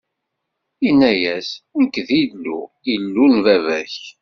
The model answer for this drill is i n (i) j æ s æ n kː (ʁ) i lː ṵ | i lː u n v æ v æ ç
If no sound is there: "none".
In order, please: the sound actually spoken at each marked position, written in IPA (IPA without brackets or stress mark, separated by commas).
æ, ð